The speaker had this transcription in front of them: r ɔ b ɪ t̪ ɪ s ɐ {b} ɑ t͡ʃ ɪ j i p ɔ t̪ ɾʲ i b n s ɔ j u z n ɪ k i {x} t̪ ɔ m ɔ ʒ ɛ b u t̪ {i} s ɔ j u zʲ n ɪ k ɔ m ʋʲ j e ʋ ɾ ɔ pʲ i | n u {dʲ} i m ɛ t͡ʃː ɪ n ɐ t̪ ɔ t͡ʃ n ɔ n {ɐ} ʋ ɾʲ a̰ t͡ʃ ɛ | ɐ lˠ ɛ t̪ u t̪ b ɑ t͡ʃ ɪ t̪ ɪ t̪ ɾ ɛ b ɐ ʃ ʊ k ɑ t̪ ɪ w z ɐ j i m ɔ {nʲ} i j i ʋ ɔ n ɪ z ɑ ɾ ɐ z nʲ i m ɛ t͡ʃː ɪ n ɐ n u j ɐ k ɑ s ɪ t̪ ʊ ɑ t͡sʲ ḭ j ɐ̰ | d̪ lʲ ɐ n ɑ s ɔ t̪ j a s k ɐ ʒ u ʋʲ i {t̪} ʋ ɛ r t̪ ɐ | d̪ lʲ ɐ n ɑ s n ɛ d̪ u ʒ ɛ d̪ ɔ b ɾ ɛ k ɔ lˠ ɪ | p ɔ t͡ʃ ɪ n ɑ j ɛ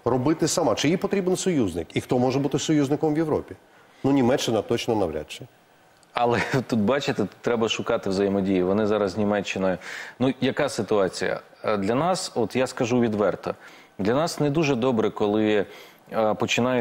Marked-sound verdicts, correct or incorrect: incorrect, correct, incorrect, incorrect, correct, incorrect, incorrect

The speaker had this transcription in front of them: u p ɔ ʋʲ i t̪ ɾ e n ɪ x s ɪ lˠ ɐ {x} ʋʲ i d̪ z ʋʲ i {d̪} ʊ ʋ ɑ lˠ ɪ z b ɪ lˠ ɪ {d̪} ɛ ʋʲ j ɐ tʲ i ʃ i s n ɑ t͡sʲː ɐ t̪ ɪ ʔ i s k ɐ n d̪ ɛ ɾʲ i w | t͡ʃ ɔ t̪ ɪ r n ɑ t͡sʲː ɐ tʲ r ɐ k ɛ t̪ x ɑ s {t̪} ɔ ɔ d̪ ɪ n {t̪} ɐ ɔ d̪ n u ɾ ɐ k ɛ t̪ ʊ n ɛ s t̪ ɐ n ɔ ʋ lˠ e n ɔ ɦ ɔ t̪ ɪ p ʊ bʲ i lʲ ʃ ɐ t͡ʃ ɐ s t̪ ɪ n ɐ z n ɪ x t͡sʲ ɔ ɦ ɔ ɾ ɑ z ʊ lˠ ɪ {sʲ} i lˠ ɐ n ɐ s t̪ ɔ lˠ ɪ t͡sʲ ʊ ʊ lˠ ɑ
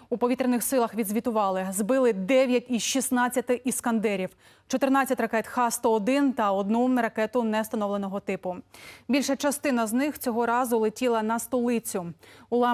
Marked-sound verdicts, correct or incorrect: correct, incorrect, correct, correct, correct, incorrect

